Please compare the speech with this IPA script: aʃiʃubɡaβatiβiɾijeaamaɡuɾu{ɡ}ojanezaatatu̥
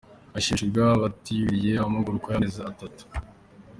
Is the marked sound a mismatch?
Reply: yes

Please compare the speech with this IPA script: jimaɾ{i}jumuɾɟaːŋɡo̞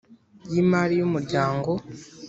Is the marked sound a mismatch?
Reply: no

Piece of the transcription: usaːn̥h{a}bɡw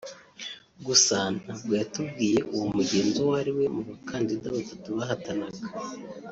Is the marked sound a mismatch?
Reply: no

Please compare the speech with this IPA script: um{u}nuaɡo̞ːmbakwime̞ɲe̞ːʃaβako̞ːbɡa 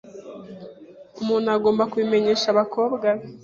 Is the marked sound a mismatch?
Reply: yes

